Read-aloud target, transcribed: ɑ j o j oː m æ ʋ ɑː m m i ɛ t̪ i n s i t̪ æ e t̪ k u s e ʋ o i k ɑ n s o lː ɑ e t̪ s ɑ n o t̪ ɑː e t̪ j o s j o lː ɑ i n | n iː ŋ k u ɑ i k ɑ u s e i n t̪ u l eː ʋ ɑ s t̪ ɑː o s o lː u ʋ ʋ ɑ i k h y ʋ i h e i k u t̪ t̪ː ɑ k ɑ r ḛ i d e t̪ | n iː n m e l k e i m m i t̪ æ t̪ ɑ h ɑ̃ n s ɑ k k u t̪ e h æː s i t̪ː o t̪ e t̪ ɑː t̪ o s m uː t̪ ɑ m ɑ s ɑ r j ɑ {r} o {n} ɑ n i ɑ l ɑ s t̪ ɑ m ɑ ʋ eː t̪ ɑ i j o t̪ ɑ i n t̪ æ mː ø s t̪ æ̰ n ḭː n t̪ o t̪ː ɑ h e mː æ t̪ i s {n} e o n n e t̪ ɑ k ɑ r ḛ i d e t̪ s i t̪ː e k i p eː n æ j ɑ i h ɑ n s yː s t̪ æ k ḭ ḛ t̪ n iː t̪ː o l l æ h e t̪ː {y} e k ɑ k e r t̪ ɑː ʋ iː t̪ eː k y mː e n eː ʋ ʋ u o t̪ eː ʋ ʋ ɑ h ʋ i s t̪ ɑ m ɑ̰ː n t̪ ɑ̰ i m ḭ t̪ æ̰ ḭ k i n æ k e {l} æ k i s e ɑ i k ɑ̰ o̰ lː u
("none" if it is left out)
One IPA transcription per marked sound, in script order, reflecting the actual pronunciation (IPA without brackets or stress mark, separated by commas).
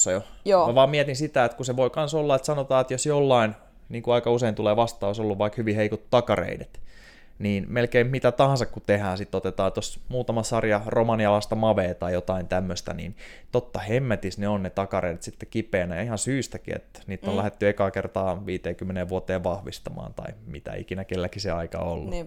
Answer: r, m, n, y, lː